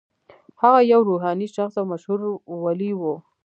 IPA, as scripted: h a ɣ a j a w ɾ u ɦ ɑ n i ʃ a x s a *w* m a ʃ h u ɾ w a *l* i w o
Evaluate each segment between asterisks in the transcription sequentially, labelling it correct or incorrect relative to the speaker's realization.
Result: correct, correct

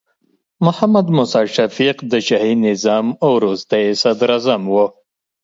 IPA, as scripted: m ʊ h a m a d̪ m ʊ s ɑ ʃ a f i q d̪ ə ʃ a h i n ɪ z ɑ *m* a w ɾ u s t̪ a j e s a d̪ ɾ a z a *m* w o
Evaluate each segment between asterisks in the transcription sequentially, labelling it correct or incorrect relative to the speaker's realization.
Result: correct, correct

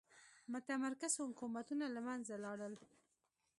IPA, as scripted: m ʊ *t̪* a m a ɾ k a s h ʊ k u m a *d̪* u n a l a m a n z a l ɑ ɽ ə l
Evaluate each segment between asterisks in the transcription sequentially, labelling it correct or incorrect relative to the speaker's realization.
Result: correct, incorrect: t̪

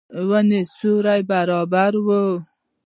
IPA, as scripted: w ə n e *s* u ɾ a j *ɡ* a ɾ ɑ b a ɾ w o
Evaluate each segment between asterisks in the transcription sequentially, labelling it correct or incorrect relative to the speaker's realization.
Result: correct, incorrect: b

